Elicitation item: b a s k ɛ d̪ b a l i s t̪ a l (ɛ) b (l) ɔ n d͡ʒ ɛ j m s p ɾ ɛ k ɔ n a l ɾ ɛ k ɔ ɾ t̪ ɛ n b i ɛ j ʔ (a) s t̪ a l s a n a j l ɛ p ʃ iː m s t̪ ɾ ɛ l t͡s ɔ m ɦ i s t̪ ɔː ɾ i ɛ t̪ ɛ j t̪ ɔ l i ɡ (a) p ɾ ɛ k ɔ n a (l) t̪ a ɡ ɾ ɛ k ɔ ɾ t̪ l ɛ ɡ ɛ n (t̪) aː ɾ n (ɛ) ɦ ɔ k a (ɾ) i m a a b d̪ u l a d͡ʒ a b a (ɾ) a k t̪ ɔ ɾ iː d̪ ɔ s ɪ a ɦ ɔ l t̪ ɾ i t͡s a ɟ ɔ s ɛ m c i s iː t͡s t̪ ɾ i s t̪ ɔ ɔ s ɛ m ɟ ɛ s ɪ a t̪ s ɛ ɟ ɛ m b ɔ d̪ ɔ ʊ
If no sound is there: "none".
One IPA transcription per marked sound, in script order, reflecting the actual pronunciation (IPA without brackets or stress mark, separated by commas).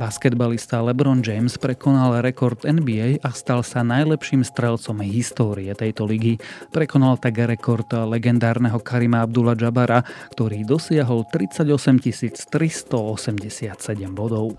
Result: ɛ, ɾ, a, i, l, d̪, ɛ, ɾ, ɾ